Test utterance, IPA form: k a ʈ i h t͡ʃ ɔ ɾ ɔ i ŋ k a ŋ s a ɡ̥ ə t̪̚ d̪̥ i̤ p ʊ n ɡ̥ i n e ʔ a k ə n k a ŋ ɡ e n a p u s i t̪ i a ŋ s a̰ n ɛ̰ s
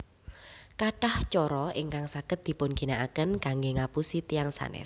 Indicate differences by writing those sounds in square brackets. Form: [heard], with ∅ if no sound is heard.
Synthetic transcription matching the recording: k a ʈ [a] h t͡ʃ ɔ ɾ ɔ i ŋ k a ŋ s a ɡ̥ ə t̪̚ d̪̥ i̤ p ʊ n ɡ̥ i n [a] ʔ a k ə n k a ŋ ɡ e [ŋ] a p u s i t̪ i a ŋ s a̰ n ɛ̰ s